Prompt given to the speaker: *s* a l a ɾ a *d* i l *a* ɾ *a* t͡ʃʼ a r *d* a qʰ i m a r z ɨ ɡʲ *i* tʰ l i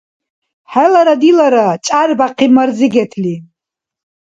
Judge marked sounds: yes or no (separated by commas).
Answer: no, yes, yes, yes, no, no